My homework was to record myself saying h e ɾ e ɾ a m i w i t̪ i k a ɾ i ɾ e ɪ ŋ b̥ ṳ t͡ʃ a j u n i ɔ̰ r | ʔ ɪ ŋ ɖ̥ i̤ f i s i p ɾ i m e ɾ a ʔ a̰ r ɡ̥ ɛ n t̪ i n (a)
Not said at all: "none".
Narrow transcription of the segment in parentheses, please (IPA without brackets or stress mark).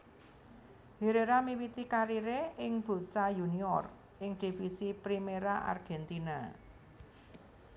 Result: a